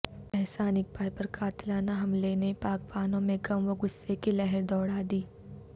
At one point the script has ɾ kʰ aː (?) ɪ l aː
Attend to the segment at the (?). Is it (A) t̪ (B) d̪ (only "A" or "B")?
A